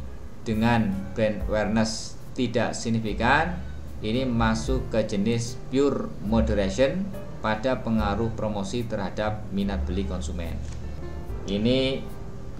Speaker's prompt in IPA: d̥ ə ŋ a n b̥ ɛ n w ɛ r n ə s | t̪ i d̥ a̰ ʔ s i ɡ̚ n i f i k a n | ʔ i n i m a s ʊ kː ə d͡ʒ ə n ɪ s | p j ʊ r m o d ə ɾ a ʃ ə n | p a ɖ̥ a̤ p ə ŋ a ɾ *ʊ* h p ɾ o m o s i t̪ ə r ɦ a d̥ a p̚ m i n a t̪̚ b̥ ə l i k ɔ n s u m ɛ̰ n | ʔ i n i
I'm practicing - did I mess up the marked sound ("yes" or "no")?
no